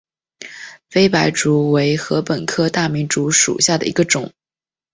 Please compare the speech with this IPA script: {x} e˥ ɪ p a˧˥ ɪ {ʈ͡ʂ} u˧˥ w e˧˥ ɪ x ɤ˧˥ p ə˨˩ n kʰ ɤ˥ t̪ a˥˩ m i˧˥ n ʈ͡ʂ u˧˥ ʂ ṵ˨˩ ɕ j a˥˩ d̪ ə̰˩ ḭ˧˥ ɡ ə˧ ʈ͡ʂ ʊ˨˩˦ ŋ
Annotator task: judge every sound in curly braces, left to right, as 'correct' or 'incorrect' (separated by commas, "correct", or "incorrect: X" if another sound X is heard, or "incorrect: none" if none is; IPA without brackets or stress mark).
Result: incorrect: f, correct